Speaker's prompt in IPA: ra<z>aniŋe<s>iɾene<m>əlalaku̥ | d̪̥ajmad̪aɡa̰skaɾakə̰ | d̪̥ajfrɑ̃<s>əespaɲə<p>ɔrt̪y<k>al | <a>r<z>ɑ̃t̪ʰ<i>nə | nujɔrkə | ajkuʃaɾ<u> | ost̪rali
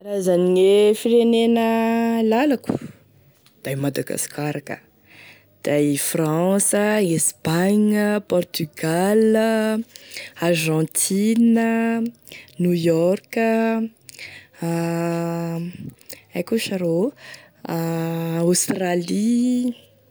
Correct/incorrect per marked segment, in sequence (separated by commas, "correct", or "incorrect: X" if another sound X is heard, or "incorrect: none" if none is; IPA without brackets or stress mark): correct, incorrect: f, incorrect: n, correct, correct, incorrect: ɡ, correct, incorrect: ʒ, correct, incorrect: o